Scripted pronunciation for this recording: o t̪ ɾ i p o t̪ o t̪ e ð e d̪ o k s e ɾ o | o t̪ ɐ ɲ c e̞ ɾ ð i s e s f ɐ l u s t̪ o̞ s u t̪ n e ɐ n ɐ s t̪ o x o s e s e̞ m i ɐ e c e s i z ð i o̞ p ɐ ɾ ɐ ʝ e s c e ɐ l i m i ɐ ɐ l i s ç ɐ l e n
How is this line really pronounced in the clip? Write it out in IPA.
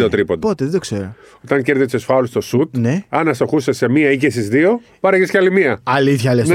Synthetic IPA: o t̪ ɾ i p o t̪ o t̪ e ð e d̪ o k s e ɾ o | o t̪ ɐ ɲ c e̞ ɾ ð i s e s f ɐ l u s t̪ o̞ s u t̪ n e ɐ n ɐ s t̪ o x u s e s e̞ m i ɐ i c e s i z ð i o̞ p ɐ ɾ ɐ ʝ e s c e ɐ l i m i ɐ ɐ l i θ ç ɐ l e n